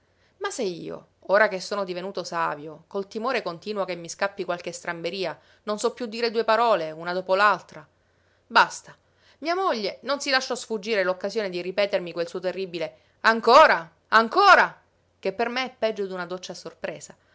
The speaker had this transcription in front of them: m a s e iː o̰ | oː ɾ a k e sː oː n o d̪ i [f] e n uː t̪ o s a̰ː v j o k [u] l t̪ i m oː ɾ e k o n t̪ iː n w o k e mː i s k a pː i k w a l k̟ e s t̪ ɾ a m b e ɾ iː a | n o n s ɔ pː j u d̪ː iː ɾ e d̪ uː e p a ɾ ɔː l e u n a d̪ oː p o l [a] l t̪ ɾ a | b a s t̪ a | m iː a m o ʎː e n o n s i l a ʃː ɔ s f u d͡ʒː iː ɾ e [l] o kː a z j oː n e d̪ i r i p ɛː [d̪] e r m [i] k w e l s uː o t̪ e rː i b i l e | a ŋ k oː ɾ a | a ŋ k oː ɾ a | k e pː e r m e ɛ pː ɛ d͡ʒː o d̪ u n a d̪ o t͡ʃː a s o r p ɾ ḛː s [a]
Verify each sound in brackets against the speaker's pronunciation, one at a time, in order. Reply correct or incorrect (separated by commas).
incorrect, incorrect, correct, correct, incorrect, correct, correct